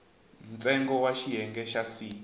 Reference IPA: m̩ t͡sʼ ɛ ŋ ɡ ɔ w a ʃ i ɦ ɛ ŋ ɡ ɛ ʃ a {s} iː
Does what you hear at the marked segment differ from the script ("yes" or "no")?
no